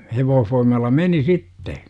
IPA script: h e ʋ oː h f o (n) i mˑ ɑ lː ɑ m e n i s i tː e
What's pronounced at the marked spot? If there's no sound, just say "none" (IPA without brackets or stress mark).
none